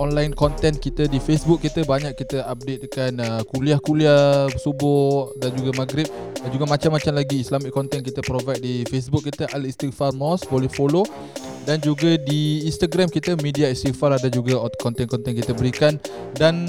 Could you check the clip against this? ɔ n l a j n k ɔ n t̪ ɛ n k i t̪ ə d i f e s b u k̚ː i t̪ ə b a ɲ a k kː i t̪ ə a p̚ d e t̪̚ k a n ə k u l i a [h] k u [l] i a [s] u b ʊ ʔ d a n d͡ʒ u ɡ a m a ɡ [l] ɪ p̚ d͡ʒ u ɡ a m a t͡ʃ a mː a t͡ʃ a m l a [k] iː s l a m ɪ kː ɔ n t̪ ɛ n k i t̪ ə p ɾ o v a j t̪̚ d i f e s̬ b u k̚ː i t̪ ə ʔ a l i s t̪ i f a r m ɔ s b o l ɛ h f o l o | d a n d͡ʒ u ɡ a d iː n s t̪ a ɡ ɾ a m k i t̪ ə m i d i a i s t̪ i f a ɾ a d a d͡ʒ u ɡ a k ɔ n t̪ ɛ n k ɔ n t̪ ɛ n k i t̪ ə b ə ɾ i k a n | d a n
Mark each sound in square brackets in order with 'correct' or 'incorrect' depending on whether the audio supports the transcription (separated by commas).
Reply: correct, correct, correct, incorrect, incorrect